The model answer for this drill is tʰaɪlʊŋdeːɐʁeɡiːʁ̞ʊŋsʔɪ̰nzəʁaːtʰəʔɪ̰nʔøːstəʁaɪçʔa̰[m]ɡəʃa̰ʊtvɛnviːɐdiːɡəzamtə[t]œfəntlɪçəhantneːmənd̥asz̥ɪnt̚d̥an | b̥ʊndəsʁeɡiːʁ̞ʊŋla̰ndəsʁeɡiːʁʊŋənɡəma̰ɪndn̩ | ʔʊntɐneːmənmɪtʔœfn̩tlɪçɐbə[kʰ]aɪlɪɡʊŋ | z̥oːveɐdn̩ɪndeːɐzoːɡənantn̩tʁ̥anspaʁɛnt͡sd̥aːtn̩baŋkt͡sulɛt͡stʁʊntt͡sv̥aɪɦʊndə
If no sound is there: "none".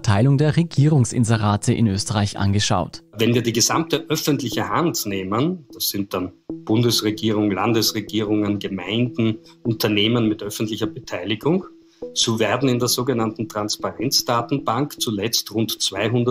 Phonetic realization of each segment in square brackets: n, ʔ, tʰ

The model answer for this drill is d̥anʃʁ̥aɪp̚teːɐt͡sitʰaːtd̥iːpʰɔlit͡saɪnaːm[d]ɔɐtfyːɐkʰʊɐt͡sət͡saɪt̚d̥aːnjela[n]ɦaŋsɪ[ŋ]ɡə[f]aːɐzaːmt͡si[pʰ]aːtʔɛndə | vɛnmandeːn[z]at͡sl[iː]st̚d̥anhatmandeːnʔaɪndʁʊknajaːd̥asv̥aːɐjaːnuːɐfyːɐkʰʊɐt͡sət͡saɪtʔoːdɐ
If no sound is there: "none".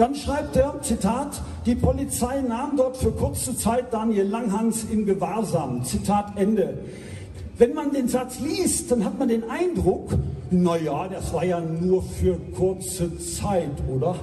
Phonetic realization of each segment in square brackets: d, ŋ, m, v, tʰ, z, iː

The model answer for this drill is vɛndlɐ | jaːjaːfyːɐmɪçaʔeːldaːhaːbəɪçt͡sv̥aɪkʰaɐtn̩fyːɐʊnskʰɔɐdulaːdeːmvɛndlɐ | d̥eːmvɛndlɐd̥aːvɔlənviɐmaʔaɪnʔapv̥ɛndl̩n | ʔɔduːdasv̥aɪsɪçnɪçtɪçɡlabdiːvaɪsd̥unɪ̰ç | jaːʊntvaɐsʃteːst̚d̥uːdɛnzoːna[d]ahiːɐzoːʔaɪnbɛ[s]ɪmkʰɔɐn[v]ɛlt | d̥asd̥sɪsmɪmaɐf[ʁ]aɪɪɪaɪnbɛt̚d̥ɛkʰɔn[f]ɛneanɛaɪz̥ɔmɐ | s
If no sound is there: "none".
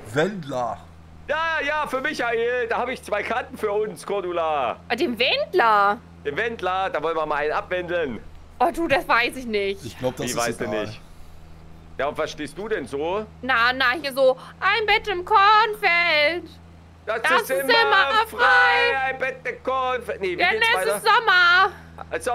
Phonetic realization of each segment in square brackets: n, t, f, ʁ, f

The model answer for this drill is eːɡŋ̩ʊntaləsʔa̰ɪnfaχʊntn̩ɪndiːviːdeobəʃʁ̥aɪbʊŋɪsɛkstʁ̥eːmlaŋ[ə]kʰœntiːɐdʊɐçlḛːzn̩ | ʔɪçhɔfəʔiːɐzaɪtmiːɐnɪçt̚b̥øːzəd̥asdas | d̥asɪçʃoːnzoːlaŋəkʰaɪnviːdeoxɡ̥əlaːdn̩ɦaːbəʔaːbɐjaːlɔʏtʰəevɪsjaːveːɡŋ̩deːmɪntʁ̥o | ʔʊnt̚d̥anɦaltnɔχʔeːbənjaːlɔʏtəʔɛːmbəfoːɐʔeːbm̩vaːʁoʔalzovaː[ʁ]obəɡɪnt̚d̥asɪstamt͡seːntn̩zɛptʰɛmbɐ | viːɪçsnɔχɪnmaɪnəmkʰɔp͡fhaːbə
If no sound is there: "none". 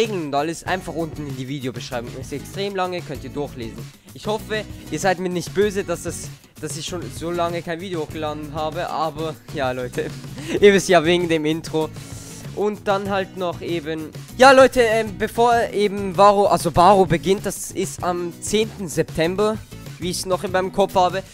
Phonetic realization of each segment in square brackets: ə, ʁ

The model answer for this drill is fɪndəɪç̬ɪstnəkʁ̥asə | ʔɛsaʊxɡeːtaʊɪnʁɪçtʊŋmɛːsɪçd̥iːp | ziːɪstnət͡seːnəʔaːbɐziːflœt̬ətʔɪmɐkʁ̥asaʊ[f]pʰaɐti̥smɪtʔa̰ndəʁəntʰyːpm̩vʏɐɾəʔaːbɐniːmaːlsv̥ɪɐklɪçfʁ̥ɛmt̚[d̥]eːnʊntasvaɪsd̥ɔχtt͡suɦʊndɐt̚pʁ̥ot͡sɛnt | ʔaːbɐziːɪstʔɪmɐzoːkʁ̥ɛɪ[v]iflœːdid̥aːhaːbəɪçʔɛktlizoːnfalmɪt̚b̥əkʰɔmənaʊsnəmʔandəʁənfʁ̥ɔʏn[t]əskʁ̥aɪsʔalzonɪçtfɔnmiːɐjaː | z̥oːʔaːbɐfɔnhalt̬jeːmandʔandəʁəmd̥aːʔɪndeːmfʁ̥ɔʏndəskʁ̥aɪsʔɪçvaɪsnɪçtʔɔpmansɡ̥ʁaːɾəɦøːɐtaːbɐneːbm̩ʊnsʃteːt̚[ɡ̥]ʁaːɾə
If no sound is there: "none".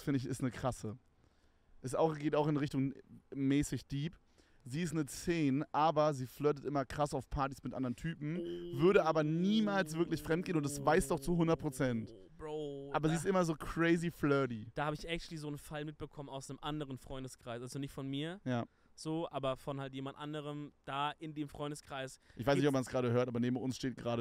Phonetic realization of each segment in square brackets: f, ɡ̥, z, d, ɡ̥

